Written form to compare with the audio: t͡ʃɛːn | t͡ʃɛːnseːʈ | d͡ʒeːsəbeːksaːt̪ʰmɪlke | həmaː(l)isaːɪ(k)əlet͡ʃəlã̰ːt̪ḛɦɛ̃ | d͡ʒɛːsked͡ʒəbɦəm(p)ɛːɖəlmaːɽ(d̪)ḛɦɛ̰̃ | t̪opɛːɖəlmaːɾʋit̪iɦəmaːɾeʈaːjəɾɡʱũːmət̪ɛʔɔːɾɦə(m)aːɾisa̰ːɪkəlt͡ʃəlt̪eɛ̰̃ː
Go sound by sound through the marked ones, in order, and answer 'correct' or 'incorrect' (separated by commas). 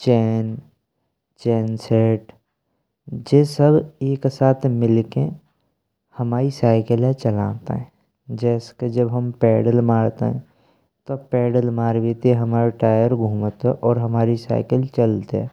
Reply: incorrect, correct, correct, incorrect, correct